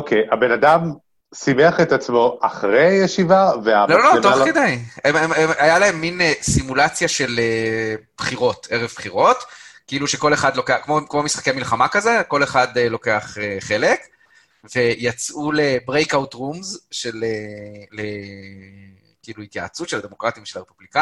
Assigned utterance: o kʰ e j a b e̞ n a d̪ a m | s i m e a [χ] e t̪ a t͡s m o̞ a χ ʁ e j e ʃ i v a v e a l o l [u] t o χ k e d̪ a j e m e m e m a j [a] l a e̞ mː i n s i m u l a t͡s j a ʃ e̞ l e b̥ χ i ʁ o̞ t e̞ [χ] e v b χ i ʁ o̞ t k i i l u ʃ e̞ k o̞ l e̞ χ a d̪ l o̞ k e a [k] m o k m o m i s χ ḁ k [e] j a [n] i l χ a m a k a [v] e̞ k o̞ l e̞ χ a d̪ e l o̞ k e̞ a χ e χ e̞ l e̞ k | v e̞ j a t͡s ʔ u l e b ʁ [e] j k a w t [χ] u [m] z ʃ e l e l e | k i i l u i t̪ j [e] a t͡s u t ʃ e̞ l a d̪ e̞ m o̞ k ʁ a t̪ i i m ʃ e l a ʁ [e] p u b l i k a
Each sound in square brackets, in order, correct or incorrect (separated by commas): correct, incorrect, correct, incorrect, correct, correct, incorrect, incorrect, correct, incorrect, correct, incorrect, correct